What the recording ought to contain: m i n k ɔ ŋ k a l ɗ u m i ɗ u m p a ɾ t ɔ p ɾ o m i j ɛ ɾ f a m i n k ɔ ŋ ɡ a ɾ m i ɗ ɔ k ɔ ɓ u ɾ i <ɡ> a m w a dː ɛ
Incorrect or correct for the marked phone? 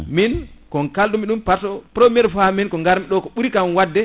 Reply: incorrect: k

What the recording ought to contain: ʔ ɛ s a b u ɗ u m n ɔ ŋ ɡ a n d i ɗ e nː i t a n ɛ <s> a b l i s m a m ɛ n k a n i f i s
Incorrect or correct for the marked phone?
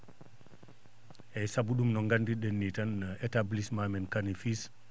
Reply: incorrect: t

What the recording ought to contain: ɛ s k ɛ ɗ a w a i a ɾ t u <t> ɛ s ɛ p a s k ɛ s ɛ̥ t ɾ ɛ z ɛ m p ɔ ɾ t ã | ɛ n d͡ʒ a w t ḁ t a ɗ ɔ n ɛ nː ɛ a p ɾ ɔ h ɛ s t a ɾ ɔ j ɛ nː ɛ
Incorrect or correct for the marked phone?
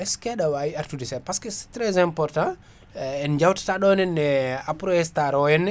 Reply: incorrect: d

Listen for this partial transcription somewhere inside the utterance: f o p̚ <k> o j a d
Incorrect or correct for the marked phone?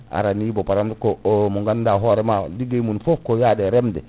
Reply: correct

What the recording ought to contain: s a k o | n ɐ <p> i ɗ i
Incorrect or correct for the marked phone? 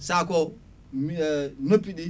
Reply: correct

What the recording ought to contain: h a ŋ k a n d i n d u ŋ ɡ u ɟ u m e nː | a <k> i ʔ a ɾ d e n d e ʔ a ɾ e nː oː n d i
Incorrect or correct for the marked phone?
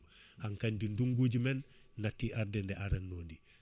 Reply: incorrect: t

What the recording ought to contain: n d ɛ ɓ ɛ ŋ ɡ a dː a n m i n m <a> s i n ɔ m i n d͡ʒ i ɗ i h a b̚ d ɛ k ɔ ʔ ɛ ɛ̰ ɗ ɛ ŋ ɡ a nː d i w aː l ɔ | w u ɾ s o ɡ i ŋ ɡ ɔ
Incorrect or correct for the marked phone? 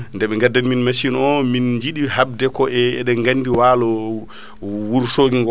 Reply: correct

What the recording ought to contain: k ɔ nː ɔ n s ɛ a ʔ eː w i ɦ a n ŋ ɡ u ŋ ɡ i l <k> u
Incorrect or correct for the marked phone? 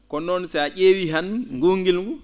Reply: incorrect: ɡ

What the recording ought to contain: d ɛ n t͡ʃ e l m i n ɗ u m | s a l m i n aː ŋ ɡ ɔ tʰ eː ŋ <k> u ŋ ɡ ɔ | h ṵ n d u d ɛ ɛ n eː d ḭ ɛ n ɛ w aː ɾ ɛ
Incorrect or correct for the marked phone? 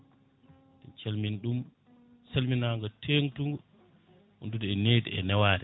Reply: incorrect: t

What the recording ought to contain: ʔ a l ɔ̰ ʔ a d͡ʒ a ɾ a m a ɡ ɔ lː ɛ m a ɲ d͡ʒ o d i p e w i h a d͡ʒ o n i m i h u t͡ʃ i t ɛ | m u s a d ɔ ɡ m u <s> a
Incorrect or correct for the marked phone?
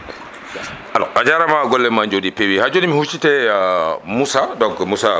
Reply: correct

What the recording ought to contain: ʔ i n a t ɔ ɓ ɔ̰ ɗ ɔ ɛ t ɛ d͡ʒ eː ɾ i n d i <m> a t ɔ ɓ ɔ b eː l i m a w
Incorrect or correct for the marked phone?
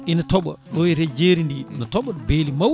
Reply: incorrect: n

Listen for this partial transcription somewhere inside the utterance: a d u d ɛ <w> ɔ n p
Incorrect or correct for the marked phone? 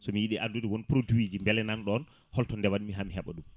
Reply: correct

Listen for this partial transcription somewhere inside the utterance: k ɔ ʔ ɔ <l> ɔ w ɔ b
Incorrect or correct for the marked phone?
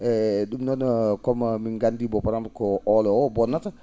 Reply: correct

